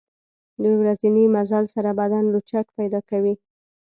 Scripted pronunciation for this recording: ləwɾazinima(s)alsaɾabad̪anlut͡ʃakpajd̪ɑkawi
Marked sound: incorrect: z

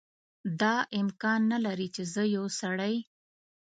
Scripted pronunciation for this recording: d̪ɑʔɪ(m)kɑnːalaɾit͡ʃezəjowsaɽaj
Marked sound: correct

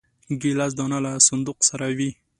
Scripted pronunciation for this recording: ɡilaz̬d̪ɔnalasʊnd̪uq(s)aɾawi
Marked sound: correct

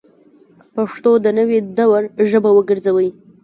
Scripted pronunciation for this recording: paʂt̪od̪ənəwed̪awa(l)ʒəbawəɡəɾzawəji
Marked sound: incorrect: ɾ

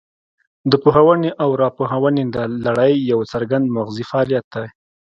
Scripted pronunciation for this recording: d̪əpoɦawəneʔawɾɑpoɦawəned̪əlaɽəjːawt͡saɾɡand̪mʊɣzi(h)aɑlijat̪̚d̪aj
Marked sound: incorrect: f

